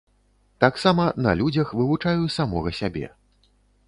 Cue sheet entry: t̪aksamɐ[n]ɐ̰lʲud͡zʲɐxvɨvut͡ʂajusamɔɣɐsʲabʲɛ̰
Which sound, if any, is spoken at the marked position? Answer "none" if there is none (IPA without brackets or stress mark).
n